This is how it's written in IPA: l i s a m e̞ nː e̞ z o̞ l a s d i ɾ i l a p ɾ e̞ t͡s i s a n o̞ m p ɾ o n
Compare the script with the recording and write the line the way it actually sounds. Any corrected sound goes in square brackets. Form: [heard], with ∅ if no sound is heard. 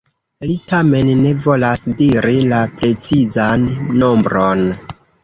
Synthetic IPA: l i [t] a m e̞ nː e̞ [v] o̞ l a s d i ɾ i l a p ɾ e̞ t͡s i [z] a [nː] o̞ m [b] ɾ o n